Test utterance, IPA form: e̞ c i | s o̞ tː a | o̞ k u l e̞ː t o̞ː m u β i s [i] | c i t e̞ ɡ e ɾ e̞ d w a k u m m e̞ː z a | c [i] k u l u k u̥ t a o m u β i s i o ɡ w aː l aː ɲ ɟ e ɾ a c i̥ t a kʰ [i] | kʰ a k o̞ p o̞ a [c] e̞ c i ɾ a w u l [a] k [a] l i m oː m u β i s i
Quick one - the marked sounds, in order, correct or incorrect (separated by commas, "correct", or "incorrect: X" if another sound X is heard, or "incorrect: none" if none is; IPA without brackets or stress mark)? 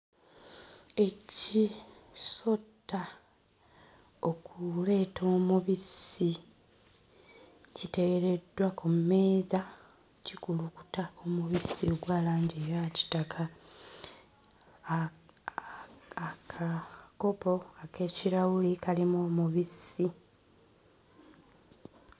correct, correct, incorrect: a, incorrect: k, incorrect: i, correct